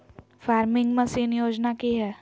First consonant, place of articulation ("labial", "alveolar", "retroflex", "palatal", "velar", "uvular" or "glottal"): labial